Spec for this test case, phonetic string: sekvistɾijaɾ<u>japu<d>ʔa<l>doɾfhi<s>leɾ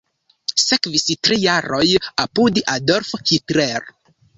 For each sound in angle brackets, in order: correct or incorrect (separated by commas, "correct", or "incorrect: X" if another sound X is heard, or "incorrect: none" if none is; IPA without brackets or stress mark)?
incorrect: o, correct, incorrect: none, incorrect: t